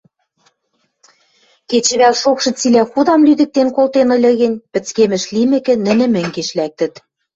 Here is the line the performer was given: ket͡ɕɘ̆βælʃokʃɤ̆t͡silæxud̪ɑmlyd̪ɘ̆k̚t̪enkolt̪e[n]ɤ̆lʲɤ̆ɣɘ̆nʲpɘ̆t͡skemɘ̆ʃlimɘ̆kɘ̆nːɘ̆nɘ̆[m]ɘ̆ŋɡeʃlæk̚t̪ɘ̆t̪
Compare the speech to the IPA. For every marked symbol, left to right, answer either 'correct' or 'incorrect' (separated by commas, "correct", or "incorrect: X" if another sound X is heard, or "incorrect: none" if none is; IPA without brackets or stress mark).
correct, correct